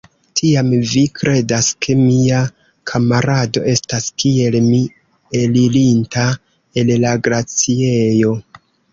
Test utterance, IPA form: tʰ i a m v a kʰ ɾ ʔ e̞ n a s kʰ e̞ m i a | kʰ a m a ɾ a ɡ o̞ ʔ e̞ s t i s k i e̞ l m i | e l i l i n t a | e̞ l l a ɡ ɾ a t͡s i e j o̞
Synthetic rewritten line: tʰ i a m v i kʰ ɾ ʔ e̞ d a s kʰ e̞ m i a | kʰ a m a ɾ a d o̞ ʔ e̞ s t a s k i e̞ l m i | e l i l i n t a | e̞ l l a ɡ ɾ a t͡s i e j o̞